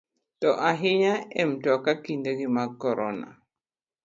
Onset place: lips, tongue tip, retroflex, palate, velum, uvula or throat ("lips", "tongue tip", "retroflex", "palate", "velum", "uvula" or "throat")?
tongue tip